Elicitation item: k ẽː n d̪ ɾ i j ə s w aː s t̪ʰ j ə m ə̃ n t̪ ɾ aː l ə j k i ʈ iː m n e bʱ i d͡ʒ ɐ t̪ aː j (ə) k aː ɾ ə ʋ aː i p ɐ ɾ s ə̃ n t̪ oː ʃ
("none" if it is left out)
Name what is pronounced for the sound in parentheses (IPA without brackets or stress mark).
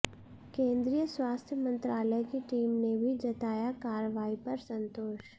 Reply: a